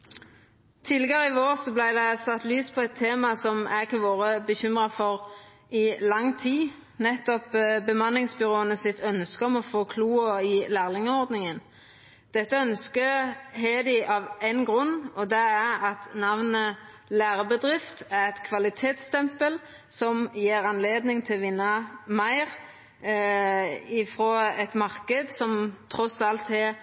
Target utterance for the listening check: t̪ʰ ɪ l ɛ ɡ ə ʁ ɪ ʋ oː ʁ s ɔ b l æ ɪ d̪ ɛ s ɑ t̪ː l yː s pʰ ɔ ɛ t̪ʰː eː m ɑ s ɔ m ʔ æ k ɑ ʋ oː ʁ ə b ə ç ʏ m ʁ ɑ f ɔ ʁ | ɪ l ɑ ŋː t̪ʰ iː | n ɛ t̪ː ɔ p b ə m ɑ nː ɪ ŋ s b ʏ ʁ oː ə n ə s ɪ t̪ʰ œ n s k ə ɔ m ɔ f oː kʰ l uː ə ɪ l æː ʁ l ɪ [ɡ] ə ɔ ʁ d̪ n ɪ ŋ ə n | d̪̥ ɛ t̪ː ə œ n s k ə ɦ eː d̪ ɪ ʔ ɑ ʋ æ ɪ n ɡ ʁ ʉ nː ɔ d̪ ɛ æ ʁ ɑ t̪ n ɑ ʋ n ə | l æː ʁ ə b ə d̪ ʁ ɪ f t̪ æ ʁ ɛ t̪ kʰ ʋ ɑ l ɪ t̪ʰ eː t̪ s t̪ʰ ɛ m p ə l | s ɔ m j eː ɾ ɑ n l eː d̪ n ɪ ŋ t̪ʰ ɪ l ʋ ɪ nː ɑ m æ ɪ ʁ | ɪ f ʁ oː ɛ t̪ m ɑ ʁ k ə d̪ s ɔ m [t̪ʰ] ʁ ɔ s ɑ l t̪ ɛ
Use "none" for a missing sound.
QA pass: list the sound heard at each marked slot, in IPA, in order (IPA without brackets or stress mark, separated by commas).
ŋ, t̪ʰ